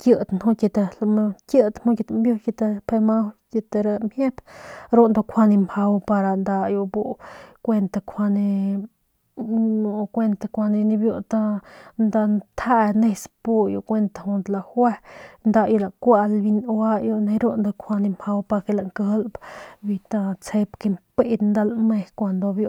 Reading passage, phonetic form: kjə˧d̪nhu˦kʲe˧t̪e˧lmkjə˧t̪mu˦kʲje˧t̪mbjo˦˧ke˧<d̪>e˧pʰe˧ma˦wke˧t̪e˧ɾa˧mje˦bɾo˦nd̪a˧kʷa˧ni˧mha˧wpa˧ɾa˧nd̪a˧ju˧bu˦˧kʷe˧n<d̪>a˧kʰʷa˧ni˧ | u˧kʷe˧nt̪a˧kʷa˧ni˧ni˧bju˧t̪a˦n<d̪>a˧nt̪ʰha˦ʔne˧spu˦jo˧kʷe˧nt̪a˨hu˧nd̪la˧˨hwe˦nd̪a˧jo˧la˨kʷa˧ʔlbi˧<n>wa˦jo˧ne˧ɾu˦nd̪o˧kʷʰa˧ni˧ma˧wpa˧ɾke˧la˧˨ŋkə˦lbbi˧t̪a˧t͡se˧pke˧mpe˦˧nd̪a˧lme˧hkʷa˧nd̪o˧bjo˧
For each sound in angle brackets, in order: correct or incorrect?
incorrect, incorrect, correct, correct

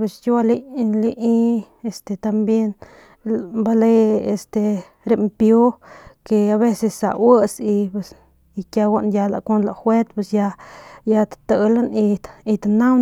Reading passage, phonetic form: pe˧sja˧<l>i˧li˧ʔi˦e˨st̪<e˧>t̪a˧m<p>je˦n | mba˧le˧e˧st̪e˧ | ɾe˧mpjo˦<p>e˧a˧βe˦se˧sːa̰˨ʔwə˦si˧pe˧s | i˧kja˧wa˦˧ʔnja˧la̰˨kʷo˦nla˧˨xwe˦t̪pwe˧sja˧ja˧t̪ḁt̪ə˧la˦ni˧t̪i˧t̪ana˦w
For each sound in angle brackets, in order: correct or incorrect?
correct, correct, incorrect, incorrect

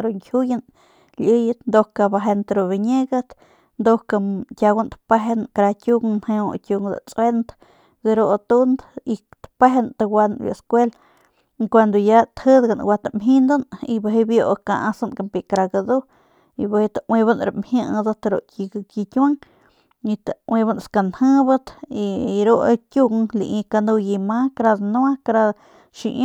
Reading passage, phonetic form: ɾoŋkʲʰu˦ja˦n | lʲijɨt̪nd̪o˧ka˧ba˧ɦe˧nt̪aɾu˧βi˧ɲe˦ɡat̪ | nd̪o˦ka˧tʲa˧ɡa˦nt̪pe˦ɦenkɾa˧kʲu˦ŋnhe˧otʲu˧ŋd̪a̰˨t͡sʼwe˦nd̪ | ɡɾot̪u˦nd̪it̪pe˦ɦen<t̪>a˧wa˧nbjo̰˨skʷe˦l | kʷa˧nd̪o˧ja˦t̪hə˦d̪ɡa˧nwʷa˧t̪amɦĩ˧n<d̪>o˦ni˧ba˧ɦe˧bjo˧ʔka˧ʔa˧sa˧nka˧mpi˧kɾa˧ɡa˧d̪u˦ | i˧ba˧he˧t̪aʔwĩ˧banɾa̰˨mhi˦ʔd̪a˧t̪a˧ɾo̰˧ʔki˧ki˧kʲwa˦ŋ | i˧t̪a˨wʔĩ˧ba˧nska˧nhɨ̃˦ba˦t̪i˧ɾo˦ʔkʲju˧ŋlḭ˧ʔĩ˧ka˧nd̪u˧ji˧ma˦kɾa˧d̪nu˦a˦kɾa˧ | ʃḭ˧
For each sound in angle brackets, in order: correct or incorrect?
correct, correct

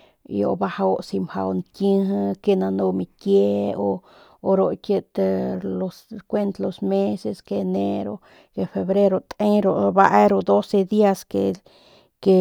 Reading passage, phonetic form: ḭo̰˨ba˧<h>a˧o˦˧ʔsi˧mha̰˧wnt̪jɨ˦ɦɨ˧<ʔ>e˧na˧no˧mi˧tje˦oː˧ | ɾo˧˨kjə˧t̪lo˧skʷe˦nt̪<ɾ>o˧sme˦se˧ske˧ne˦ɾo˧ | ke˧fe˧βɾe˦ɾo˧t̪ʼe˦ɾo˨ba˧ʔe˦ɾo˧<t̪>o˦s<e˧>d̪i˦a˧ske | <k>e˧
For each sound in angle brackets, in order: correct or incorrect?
correct, incorrect, incorrect, incorrect, correct, correct

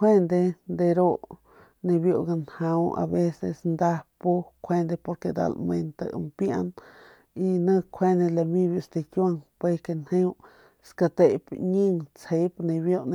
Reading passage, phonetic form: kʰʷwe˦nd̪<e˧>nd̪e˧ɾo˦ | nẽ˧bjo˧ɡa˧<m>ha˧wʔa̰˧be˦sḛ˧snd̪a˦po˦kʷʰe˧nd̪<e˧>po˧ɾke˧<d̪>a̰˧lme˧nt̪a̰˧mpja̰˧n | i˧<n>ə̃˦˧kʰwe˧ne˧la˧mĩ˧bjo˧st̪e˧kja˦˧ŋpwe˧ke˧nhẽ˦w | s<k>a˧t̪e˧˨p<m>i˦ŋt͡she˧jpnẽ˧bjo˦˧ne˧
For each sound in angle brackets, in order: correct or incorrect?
correct, incorrect, correct, correct, correct, correct, incorrect

